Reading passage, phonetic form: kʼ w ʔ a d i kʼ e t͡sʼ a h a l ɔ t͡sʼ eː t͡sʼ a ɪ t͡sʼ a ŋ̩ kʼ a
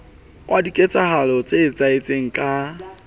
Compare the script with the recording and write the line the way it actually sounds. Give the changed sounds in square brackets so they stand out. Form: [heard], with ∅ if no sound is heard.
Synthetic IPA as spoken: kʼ w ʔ a d i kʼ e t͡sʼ a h a l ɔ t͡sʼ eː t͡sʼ a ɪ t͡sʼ [e] ŋ̩ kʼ a

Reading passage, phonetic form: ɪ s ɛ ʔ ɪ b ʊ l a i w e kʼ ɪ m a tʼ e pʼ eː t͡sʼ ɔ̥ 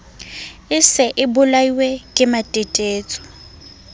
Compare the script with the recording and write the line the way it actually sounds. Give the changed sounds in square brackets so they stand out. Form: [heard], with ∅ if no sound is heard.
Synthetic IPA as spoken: ɪ s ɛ ʔ ɪ b ʊ l a i w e kʼ ɪ m a tʼ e [tʼ] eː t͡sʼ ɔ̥

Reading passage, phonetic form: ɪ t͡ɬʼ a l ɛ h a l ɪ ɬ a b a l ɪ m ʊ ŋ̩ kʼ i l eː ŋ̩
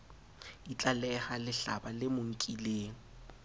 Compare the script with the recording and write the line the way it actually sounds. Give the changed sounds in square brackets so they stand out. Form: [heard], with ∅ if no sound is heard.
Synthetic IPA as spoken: [i] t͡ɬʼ a l ɛ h a l ɪ ɬ a b a l ɪ m ʊ ŋ̩ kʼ i l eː ŋ̩

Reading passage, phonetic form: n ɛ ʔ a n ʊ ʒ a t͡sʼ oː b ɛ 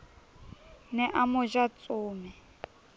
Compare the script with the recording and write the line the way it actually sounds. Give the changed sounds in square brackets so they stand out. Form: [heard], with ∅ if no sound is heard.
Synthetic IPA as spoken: n ɛ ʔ a [m] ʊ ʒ a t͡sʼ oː [m] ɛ

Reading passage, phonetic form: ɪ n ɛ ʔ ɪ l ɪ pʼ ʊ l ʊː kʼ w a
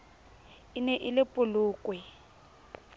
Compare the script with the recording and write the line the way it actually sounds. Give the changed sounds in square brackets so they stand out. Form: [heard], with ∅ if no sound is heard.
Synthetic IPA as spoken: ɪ n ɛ ʔ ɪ l ɪ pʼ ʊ l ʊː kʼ w [ɛ]

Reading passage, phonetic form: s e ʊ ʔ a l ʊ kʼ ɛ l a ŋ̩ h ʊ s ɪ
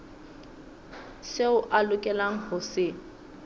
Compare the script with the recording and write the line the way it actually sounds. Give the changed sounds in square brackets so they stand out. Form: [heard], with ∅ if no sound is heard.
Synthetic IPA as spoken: s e ʊ ʔ a l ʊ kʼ ɛ l a ŋ̩ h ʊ s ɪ

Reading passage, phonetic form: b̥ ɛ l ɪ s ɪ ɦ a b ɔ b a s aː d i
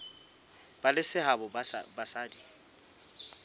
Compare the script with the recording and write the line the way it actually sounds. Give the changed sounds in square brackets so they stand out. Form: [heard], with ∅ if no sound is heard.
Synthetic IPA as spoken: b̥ [a] l ɪ s ɪ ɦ a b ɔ b a s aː d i

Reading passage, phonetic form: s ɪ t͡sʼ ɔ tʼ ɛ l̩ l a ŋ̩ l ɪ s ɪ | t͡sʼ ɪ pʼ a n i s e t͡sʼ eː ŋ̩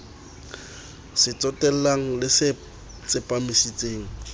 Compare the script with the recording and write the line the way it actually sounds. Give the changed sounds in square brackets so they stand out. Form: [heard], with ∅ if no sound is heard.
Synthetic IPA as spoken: s ɪ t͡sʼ ɔ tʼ ɛ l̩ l a ŋ̩ l ɪ s ɪ | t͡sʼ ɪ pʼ a [m] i s [i] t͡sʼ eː ŋ̩

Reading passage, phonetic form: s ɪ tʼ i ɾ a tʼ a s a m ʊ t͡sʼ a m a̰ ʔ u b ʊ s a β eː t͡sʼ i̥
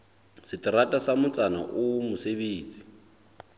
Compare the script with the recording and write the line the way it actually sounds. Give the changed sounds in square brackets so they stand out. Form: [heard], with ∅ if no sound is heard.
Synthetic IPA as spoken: s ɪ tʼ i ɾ a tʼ a s a m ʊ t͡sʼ a [n] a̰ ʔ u [m] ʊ s [e] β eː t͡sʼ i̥

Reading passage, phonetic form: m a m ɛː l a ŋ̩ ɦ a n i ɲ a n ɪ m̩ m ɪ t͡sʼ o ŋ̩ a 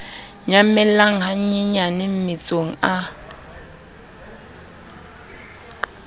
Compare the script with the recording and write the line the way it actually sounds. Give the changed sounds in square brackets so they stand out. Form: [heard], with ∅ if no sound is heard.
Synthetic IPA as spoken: [ɲ] a m [ɛ] l a ŋ̩ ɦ a [ɲ] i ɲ a n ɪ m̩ m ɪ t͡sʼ o ŋ̩ a

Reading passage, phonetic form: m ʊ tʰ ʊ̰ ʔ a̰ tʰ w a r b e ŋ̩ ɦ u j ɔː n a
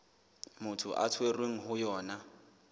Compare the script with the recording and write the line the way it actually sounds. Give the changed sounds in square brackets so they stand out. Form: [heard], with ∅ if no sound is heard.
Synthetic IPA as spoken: m ʊ tʰ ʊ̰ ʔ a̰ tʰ w [e] r [w] e ŋ̩ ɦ [ʊ] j ɔː n a

